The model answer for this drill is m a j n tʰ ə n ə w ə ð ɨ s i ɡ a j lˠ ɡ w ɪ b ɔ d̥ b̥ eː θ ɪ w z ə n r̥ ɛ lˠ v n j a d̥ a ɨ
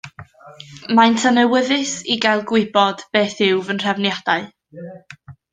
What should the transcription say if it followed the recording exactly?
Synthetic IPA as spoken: m a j n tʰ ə n ə w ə ð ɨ s i ɡ a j lˠ ɡ w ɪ b ɔ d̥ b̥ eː θ ɪ w v ə n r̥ ɛ v n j a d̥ a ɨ